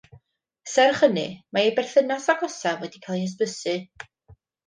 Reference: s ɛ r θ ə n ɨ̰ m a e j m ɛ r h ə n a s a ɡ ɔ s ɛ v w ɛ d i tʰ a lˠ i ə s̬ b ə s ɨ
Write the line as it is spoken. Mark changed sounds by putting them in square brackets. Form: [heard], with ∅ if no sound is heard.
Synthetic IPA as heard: s ɛ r [χ] ə n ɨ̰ m a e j [b] ɛ r [θ] ə n a s a ɡ ɔ s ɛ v w ɛ d i [kʰ] a lˠ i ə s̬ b ə s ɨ